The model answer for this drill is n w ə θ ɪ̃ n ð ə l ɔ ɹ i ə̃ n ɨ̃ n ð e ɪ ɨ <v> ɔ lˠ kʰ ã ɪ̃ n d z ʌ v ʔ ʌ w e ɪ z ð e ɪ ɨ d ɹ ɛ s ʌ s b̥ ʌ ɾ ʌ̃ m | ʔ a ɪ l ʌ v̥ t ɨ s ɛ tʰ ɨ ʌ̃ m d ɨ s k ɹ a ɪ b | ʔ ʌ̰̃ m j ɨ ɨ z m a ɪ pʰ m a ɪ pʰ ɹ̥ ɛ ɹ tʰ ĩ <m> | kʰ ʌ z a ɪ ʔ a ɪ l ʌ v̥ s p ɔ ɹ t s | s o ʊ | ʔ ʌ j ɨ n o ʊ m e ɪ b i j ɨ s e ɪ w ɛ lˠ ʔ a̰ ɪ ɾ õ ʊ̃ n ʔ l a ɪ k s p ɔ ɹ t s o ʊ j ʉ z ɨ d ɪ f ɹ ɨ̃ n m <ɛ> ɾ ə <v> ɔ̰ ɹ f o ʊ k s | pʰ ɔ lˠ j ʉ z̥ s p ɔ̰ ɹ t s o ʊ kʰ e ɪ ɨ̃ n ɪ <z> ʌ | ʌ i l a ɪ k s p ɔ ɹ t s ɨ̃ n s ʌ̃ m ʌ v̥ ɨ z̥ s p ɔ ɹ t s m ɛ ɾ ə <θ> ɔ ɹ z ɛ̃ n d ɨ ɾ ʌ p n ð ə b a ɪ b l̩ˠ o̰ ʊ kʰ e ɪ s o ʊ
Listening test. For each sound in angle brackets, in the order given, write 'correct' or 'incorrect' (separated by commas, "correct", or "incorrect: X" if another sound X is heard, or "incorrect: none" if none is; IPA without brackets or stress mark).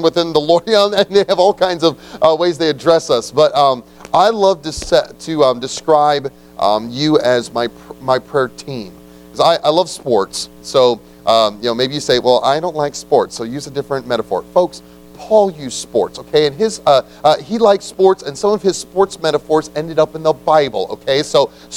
correct, correct, correct, incorrect: f, correct, incorrect: f